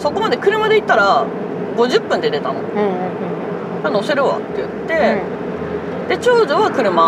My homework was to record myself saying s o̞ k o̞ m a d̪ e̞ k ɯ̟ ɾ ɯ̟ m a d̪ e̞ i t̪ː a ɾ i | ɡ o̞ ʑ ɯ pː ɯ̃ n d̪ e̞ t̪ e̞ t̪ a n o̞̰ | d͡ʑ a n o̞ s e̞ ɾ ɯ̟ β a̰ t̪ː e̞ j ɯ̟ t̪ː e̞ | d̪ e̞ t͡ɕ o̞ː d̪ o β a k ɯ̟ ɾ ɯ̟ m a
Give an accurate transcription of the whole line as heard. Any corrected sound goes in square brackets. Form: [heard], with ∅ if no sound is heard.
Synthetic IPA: s o̞ k o̞ m a d̪ e̞ k ɯ̟ ɾ ɯ̟ m a d̪ e̞ i t̪ː a ɾ [a] | ɡ o̞ ʑ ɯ pː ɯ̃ n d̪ e̞ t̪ e̞ t̪ a n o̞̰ | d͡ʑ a n o̞ s e̞ ɾ ɯ̟ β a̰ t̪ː e̞ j ɯ̟ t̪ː e̞ | d̪ e̞ t͡ɕ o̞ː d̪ o β a k ɯ̟ ɾ ɯ̟ m a